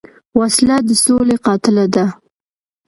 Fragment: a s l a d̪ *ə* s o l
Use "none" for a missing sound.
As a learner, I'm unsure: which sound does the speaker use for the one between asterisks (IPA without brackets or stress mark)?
ə